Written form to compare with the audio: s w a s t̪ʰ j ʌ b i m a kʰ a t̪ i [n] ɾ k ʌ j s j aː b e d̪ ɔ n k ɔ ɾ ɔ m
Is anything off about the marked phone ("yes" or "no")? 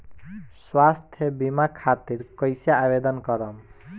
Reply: yes